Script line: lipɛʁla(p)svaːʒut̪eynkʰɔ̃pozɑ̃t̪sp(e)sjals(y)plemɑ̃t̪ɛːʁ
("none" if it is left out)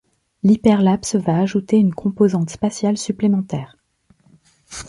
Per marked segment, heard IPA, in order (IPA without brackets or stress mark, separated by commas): p, a, y